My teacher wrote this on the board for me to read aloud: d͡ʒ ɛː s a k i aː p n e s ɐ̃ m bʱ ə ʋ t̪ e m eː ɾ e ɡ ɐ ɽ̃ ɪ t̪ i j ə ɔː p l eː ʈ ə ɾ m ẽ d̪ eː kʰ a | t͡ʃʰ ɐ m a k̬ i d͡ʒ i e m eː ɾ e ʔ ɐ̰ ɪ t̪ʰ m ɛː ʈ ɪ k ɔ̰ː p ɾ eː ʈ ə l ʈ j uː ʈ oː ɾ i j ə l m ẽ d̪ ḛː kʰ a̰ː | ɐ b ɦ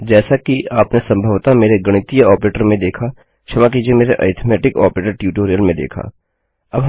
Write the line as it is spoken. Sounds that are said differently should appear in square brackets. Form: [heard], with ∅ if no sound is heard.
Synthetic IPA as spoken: d͡ʒ ɛː s a k i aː p n e s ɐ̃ m bʱ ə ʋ t̪ [a] m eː ɾ e ɡ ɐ ɽ̃ ɪ t̪ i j ə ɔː p [ɾ] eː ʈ ə ɾ m ẽ d̪ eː kʰ a | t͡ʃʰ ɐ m a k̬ i d͡ʒ i e m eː ɾ e ʔ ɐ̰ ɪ t̪ʰ m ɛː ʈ ɪ k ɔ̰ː p ɾ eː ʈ ə [ɾ] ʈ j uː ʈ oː ɾ i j ə l m ẽ d̪ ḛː kʰ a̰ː | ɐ b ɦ